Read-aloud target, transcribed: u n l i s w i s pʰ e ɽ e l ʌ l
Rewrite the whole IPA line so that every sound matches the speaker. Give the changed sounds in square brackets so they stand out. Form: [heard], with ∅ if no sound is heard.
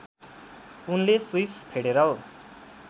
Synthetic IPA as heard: u n l [e] s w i s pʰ e ɽ e [ɾ] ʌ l